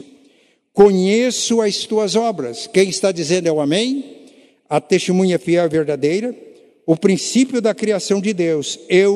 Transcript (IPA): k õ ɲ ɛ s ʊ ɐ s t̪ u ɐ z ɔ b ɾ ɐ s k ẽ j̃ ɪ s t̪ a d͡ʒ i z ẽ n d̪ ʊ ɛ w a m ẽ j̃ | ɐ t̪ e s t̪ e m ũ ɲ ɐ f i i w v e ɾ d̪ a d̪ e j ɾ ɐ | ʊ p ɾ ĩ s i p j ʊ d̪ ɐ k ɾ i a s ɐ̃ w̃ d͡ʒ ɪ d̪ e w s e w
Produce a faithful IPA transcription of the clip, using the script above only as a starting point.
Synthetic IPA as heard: k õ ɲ e s ʊ ɐ s t̪ u ɐ z ɔ b ɾ ɐ s k ẽ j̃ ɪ s t̪ a d͡ʒ i z ẽ n d̪ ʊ ɛ w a m ẽ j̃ | ɐ t̪ e s t̪ e m ũ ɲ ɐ f i ɛ w v e ɾ d̪ a d̪ e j ɾ ɐ | ʊ p ɾ ĩ s i p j ʊ d̪ ɐ k ɾ i a s ɐ̃ w̃ d͡ʒ ɪ d̪ e w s e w